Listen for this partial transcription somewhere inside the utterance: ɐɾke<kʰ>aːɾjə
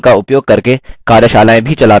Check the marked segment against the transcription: incorrect: k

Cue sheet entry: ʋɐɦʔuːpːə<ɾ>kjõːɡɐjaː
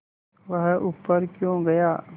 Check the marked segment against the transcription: correct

